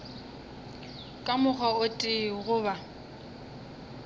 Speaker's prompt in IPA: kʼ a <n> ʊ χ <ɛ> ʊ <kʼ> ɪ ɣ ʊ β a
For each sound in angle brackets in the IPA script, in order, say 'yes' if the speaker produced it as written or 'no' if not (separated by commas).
no, no, no